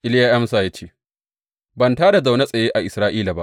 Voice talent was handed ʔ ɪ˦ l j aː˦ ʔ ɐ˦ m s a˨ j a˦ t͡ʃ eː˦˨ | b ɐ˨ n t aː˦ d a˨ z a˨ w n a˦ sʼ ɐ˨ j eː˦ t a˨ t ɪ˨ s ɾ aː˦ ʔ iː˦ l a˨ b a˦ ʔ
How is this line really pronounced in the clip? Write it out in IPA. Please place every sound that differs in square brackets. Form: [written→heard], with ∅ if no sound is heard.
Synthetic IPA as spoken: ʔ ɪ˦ l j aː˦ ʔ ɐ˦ m s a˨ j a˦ t͡ʃ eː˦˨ | b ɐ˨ n t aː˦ d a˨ z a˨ w n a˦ sʼ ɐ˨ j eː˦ [t→ʔ] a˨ [t→ʔ] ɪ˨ s ɾ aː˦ ʔ iː˦ l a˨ b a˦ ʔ